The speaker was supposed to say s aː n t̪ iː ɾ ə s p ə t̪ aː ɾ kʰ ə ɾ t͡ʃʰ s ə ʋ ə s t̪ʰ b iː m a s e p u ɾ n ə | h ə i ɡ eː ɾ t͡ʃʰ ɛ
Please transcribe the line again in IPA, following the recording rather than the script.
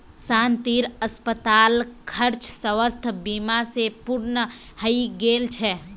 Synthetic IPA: s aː n t̪ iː ɾ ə s p ə t̪ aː l kʰ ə ɾ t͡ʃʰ s ə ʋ ə s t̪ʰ b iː m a s e p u ɾ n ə | h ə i ɡ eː l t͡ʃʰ ɛ